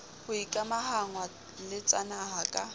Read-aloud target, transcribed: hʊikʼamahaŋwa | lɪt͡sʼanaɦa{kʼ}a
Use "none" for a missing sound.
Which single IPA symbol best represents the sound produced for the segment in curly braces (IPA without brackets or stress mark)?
kʼ